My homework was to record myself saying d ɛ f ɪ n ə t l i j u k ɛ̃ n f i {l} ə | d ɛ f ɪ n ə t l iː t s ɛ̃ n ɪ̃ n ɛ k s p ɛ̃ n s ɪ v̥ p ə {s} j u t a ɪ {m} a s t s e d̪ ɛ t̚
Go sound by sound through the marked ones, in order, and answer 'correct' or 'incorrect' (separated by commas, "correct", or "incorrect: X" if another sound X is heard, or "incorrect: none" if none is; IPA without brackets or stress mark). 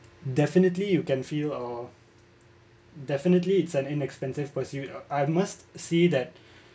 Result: correct, correct, correct